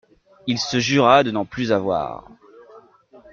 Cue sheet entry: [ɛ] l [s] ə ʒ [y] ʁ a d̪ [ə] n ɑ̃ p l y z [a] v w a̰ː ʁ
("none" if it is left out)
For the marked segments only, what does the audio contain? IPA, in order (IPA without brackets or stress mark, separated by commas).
i, s, y, ə, a